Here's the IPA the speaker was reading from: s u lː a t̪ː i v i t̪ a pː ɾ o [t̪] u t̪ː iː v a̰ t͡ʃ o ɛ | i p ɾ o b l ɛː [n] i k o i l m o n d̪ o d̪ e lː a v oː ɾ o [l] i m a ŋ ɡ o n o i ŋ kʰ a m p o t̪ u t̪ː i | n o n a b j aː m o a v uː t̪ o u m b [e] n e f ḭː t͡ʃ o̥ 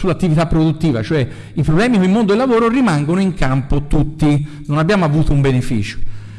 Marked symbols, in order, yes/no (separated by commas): no, no, no, yes